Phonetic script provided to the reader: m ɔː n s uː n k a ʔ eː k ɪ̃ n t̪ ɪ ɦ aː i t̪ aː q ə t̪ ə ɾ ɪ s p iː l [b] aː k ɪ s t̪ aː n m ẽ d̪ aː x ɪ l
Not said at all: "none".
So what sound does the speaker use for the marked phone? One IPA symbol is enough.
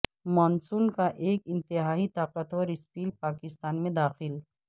p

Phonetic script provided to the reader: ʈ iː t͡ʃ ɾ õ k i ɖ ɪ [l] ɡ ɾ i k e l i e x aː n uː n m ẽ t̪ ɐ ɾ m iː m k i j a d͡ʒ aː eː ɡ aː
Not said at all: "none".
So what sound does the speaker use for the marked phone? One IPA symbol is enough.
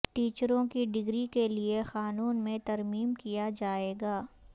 none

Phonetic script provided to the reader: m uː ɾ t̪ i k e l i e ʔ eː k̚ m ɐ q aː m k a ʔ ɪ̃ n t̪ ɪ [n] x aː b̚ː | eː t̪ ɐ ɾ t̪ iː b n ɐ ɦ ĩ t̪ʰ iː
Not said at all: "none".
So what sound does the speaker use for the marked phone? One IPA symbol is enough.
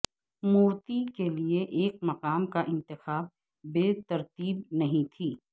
none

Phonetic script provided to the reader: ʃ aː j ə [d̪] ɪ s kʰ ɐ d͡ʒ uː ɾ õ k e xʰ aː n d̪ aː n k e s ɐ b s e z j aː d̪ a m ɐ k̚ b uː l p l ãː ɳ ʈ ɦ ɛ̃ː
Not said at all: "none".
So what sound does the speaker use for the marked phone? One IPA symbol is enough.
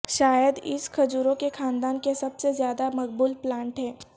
d̪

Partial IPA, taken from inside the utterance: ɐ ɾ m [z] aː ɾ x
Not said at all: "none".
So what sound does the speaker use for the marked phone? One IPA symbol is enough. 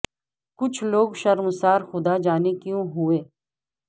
s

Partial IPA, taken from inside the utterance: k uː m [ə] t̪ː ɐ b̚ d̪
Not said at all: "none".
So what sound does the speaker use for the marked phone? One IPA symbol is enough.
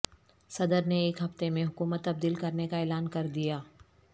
ə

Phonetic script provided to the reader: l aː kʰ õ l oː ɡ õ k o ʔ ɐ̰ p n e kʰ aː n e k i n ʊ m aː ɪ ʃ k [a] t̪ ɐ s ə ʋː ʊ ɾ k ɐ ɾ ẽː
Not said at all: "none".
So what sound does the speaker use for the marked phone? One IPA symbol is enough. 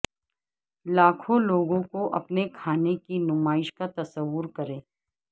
a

